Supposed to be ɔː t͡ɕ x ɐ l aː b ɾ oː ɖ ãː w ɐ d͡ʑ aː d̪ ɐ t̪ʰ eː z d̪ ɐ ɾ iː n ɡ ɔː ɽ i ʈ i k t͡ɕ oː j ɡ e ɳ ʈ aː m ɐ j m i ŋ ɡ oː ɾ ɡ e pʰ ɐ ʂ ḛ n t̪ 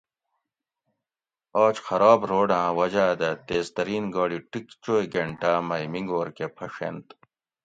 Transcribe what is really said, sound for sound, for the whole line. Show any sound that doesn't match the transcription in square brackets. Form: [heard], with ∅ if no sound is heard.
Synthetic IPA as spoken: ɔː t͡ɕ x ɐ [ɾ] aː b ɾ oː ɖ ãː w ɐ d͡ʑ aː d̪ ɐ [t̪] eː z [t̪] ɐ ɾ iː n ɡ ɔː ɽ i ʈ i k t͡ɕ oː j ɡ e ɳ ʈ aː m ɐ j m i ŋ ɡ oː ɾ [k] e pʰ ɐ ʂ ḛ n t̪